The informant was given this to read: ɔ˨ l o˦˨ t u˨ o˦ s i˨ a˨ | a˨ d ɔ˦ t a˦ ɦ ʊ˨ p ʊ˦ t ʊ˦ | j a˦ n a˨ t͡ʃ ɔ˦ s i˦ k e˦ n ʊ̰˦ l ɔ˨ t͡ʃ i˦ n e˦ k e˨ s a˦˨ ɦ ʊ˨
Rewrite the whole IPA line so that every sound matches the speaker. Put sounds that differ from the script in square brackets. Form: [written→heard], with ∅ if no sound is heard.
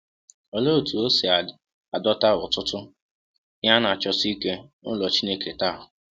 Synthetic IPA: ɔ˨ l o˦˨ t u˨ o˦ s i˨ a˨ | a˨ d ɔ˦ t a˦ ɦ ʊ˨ [p→t] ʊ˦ t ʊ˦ | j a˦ n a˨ t͡ʃ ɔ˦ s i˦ k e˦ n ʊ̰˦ l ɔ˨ t͡ʃ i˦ n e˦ k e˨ [s→t] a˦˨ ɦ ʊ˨